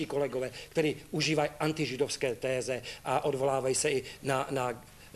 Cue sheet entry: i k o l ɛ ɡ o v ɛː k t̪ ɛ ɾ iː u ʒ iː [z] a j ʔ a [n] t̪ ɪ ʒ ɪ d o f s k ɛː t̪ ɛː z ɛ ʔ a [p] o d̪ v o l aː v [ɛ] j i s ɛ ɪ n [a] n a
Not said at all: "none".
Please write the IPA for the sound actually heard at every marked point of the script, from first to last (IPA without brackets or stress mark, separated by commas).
v, n, ʔ, a, a